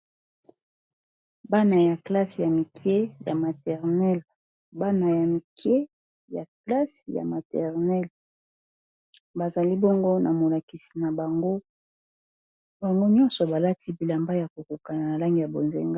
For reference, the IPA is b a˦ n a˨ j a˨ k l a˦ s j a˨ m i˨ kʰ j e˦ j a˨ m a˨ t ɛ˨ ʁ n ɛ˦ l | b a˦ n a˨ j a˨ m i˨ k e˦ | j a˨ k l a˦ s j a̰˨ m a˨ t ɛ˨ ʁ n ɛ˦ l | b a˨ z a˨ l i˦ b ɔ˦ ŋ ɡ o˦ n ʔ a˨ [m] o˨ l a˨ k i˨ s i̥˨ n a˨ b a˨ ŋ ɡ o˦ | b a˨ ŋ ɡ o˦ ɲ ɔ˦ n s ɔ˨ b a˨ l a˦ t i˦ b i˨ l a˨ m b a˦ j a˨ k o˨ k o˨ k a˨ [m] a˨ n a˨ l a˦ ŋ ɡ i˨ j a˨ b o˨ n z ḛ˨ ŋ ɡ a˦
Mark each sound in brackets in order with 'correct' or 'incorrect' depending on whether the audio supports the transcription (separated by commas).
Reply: correct, incorrect